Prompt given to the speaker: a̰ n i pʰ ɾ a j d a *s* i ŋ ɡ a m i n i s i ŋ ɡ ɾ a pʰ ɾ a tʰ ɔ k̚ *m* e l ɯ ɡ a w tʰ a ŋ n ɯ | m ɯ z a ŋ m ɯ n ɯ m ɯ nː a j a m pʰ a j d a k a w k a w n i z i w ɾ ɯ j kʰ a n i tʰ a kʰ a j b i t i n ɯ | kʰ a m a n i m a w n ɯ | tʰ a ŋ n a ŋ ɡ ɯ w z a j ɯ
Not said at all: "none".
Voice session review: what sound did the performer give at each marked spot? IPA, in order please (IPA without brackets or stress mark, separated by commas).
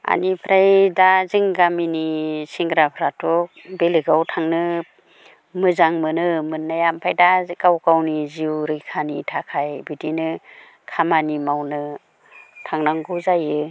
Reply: z, b